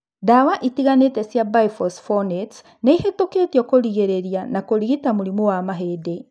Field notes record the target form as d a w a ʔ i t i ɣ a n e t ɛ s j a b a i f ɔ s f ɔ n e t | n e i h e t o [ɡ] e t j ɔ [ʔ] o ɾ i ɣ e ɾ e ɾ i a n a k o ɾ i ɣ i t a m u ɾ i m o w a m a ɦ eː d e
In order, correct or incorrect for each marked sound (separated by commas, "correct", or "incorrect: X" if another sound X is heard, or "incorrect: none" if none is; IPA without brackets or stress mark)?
incorrect: k, incorrect: k